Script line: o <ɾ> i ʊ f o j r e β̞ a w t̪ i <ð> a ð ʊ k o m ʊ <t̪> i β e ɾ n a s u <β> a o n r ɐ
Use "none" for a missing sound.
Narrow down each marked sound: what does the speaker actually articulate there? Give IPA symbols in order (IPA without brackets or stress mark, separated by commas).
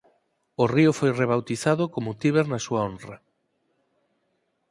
r, θ, t̪, none